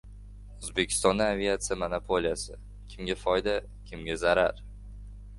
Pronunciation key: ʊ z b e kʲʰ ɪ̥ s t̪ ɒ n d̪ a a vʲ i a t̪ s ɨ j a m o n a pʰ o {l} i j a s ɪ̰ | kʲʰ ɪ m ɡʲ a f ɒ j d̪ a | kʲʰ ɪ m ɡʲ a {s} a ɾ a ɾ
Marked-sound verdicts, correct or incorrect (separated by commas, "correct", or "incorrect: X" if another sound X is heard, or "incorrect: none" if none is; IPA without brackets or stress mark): correct, incorrect: z